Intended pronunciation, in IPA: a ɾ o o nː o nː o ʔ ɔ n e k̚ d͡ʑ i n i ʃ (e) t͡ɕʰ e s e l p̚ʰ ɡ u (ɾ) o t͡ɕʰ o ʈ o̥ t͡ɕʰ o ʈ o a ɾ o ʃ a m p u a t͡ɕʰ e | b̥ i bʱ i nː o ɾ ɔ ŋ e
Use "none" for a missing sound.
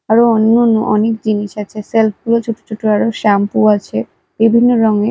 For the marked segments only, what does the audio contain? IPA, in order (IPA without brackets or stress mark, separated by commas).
a, l